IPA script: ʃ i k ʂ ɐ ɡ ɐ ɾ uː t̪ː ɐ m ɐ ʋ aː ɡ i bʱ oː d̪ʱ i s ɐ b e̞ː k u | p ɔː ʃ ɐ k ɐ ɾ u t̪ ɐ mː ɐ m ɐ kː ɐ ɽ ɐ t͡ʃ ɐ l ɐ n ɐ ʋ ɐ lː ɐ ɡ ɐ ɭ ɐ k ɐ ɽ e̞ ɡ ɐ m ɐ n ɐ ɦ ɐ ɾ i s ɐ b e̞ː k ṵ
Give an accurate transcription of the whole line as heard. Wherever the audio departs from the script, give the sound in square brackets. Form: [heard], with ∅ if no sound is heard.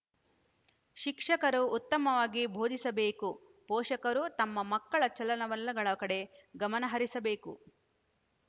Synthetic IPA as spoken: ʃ i k ʂ ɐ [k] ɐ ɾ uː t̪ː ɐ m ɐ ʋ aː ɡ i bʱ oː d̪ʱ i s ɐ b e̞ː k u | p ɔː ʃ ɐ k ɐ ɾ u t̪ ɐ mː ɐ m ɐ kː ɐ [ɭ] ɐ t͡ʃ ɐ l ɐ n ɐ ʋ ɐ lː ɐ ɡ ɐ ɭ ɐ k ɐ ɽ e̞ ɡ ɐ m ɐ n ɐ ɦ ɐ ɾ i s ɐ b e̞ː k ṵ